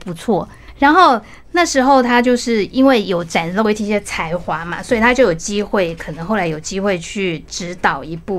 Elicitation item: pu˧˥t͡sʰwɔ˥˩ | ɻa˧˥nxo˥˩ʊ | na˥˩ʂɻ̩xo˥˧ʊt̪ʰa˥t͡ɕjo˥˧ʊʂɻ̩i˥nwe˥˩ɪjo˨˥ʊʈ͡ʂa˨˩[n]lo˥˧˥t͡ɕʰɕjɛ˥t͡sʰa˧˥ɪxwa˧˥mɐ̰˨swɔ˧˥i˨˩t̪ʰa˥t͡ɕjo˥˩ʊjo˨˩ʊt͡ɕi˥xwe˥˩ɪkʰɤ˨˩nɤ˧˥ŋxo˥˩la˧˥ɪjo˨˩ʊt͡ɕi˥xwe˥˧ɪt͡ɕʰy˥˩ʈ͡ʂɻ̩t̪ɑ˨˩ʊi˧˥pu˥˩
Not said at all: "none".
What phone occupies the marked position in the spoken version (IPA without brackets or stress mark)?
n